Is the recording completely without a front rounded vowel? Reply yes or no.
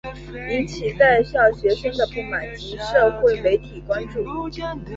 yes